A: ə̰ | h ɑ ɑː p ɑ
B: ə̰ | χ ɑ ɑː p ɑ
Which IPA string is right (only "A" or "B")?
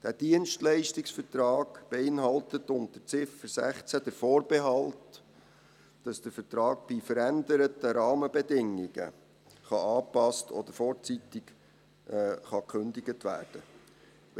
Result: B